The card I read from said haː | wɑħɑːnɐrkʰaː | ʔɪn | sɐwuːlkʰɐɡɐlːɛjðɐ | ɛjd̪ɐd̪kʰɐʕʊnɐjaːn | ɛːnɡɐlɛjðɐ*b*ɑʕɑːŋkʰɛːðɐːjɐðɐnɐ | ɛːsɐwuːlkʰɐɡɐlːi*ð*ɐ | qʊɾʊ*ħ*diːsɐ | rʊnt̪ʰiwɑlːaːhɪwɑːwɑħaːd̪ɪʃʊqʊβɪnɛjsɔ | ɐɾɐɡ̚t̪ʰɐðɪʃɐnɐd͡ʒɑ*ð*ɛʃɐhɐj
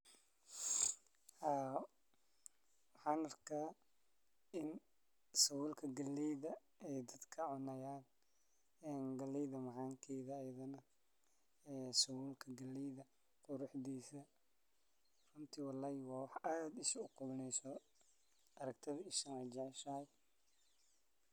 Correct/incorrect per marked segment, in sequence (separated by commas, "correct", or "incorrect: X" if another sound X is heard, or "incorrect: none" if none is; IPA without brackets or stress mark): incorrect: m, correct, correct, incorrect: ʕ